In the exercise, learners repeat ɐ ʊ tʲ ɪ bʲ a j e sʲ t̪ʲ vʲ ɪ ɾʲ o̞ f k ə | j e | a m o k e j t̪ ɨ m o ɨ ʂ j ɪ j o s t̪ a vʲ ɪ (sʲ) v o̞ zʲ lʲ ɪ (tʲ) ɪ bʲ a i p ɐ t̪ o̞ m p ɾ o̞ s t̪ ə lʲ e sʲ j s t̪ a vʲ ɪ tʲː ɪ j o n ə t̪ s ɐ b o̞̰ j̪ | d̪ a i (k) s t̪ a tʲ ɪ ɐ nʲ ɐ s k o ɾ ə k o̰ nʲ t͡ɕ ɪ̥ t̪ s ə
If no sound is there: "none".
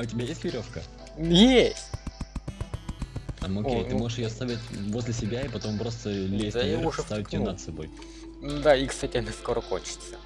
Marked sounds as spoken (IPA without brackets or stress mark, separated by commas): tʲ, sʲ, k